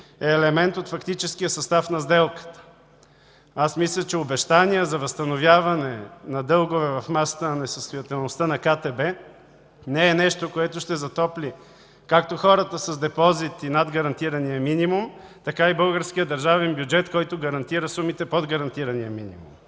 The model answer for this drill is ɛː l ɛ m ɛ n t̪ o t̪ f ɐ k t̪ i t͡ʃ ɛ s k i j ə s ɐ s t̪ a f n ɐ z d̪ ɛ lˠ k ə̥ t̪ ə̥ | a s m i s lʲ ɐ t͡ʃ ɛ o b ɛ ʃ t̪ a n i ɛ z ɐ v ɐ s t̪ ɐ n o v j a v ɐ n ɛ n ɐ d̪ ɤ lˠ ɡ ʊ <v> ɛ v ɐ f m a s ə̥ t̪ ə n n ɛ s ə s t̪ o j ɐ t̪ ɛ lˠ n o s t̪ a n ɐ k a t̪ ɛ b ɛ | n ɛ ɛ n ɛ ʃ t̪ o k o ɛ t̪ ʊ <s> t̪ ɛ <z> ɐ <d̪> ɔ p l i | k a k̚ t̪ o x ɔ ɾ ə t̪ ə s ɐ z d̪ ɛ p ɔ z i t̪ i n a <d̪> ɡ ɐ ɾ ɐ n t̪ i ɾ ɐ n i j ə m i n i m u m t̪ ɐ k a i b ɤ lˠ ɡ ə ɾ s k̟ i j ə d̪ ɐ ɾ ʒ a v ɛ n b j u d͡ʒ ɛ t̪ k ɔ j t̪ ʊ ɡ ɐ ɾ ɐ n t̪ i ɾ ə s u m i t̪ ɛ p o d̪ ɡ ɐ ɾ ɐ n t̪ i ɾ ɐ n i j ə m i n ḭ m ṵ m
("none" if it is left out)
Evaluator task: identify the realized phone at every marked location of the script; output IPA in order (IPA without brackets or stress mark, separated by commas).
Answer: v, ʃ, z, t̪, d̪